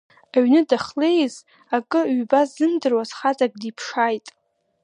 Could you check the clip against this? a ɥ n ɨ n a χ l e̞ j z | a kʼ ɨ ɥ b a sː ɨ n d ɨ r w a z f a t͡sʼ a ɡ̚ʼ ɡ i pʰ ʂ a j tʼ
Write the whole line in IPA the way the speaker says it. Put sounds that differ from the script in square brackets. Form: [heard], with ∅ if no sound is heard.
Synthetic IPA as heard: a ɥ n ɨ [d] a χ l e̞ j z | a kʼ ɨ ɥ b a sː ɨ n d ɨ r w a z [χ] a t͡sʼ a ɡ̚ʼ [d] i pʰ ʂ a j tʼ